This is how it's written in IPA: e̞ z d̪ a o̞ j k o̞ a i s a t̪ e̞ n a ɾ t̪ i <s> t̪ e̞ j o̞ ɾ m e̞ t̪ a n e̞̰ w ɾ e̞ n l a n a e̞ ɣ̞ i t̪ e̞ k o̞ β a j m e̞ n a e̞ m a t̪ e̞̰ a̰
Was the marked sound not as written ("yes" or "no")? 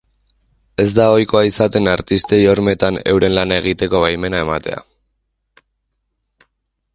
no